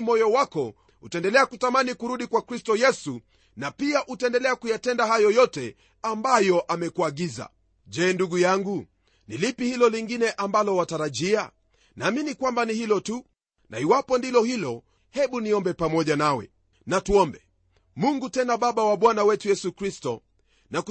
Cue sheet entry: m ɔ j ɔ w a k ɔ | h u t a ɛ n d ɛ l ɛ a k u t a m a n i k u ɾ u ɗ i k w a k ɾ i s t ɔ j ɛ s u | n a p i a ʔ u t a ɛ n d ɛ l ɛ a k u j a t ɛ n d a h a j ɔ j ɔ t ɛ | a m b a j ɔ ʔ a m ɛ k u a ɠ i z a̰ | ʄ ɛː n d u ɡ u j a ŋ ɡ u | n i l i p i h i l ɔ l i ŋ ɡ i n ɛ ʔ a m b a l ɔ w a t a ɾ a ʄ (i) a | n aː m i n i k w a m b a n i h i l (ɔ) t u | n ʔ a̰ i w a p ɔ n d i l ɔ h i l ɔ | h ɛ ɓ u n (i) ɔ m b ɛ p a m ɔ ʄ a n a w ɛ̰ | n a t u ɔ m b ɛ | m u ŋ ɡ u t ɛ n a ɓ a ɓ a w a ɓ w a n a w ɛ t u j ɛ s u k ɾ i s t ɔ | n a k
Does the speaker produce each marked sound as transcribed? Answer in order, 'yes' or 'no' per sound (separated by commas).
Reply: yes, yes, yes